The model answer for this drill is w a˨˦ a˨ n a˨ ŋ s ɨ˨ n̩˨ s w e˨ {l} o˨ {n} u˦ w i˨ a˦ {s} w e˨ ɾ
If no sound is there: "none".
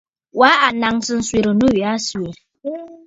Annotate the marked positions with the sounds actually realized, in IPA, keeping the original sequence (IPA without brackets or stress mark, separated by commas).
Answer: ɾ, n, s